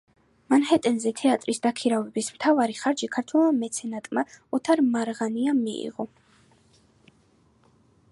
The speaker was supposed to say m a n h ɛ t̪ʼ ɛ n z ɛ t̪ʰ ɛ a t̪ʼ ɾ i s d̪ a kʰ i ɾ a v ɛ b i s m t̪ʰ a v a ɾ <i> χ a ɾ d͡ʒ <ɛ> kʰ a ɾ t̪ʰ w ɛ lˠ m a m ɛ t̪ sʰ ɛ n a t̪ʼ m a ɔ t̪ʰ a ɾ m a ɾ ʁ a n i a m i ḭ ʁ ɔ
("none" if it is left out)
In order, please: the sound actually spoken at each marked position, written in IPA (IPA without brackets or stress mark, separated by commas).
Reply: i, i